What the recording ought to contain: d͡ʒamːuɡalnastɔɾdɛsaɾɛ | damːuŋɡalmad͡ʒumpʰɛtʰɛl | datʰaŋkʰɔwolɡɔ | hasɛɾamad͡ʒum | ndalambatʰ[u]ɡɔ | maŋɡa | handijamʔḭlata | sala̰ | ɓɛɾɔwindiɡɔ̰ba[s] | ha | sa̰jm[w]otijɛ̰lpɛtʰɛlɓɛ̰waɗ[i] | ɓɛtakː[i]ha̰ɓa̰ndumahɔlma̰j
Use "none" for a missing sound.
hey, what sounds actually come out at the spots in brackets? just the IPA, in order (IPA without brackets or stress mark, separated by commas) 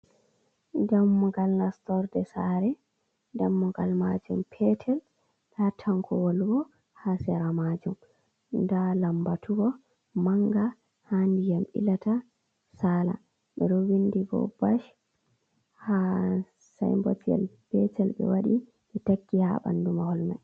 u, ʃ, b, i, i